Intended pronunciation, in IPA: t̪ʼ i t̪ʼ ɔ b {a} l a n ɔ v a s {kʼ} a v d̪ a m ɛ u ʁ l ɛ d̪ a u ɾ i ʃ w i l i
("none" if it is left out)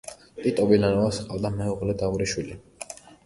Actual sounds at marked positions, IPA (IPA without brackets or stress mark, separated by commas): i, qʼ